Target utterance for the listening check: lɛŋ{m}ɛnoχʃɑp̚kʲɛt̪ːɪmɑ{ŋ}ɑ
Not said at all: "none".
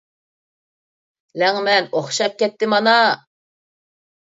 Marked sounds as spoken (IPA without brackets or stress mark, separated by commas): m, n